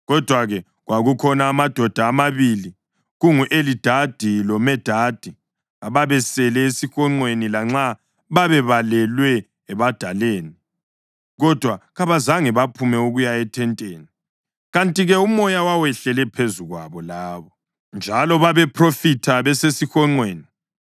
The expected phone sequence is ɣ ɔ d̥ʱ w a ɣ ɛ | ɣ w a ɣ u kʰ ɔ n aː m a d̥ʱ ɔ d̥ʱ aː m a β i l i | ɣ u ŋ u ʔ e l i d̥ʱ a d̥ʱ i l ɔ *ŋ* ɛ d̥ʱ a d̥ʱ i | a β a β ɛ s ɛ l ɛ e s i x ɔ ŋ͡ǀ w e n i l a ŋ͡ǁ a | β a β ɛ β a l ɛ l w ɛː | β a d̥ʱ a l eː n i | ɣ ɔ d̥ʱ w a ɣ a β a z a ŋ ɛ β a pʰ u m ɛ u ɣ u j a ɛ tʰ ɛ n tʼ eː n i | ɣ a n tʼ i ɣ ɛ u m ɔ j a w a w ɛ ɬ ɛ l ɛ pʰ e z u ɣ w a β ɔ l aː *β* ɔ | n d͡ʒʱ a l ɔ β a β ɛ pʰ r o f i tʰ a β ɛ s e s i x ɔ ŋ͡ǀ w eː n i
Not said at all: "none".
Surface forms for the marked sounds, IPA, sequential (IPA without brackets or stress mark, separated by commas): m, β